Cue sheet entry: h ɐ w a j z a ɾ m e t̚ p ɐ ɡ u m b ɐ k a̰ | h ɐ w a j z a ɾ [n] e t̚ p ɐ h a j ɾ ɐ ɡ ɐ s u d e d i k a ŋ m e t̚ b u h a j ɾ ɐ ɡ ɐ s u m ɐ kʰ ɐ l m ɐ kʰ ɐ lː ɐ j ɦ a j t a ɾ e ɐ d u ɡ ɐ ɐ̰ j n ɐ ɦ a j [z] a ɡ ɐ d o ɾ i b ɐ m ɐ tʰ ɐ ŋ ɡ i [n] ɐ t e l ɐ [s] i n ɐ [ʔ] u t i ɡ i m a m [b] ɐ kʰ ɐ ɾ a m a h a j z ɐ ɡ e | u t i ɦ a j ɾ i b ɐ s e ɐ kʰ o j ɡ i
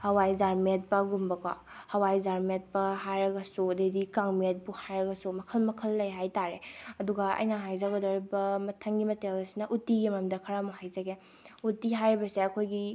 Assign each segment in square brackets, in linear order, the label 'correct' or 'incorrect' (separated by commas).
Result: incorrect, correct, incorrect, correct, correct, incorrect